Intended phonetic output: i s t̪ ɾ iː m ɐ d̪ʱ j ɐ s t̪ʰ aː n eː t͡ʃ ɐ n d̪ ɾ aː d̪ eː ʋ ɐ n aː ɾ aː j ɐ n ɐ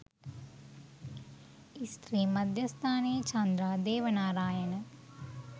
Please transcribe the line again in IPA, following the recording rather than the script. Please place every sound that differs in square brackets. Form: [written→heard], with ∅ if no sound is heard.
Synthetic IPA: i s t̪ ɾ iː m ɐ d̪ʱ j ɐ s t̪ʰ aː n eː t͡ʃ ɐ n d̪ ɾ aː d̪ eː ʋ ɐ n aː ɾ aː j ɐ n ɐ